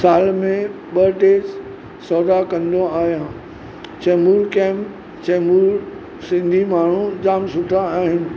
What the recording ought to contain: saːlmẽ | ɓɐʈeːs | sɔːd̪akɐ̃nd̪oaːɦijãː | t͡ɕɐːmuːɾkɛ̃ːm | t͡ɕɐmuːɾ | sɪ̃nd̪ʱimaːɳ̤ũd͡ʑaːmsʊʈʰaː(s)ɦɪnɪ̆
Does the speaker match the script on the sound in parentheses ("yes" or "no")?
no